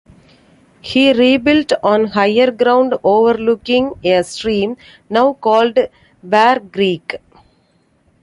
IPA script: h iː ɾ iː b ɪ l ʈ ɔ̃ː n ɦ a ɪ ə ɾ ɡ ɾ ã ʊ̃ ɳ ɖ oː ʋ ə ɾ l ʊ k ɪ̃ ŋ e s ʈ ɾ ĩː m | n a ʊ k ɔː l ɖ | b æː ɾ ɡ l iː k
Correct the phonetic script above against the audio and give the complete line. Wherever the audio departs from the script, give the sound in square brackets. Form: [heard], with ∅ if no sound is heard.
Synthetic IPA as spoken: h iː ɾ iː b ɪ l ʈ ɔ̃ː n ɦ a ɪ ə ɾ ɡ ɾ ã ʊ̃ ɳ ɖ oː ʋ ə ɾ l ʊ k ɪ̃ ŋ e s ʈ ɾ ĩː m | n a ʊ k ɔː l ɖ | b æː ɾ ɡ [ɾ] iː k